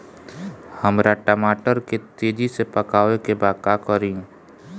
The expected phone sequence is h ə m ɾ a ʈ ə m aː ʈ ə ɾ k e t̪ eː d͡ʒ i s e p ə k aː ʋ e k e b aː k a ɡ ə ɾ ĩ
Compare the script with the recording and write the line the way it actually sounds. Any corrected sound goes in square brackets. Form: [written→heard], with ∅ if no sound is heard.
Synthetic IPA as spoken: h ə m ɾ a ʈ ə m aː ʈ ə ɾ k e t̪ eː d͡ʒ i s e p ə k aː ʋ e k e b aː k a [ɡ→k] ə ɾ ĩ